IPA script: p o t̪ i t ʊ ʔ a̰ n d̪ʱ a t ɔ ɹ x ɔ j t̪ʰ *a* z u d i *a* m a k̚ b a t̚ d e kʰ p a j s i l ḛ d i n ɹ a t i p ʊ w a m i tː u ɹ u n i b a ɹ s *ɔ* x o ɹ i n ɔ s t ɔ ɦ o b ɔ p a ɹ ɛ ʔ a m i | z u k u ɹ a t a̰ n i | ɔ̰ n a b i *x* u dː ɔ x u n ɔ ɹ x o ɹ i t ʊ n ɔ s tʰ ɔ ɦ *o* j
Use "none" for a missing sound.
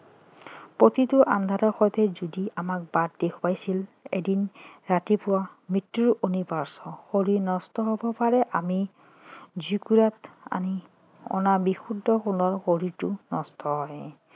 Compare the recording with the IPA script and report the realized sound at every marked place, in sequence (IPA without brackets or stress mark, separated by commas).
ɛ, a, ɔ, x, ɔ